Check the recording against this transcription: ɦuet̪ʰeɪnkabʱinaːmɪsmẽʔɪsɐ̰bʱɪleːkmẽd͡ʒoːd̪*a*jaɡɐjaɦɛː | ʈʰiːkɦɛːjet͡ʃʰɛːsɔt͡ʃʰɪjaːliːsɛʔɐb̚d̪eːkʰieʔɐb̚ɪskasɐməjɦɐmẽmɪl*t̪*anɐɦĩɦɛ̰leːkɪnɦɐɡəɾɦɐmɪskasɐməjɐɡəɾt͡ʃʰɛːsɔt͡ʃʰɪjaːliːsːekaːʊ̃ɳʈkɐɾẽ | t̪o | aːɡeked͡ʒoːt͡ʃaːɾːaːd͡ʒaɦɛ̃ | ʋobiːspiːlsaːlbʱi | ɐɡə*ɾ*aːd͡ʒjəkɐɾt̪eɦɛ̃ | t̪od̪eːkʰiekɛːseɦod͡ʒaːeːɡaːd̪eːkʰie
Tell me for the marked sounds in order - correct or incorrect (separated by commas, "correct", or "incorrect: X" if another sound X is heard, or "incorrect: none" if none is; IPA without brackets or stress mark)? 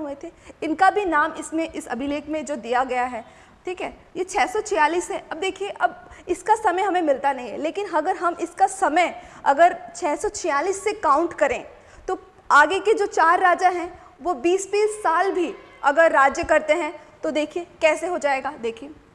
incorrect: i, correct, incorrect: ɾː